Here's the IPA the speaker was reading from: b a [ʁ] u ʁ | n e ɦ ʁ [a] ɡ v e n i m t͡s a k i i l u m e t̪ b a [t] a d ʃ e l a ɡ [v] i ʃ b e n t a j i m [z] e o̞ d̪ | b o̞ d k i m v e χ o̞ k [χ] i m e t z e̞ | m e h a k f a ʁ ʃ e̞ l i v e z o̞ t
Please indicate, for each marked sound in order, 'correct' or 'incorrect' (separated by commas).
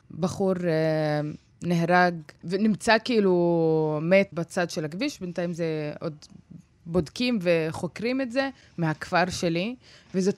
incorrect, correct, incorrect, correct, correct, incorrect